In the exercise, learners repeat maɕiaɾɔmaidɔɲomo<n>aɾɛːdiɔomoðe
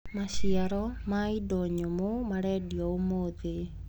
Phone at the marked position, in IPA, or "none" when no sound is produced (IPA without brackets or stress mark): m